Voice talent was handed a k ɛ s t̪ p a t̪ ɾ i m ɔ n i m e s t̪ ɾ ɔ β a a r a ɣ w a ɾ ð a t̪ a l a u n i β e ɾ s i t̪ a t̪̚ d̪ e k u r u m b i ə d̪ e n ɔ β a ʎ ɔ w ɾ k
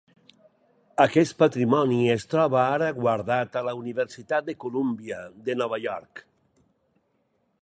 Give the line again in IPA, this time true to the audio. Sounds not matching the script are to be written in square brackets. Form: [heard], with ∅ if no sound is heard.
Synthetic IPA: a k ɛ s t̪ p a t̪ ɾ i m ɔ n i [∅] e s t̪ ɾ ɔ β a a [ɾ] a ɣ w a ɾ ð a t̪ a l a u n i β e ɾ s i t̪ a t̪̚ d̪ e k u [l] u m b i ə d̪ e n ɔ β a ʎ ɔ [∅] ɾ k